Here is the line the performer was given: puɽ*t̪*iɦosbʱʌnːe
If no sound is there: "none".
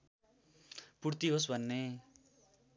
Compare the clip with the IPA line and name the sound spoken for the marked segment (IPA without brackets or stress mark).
t̪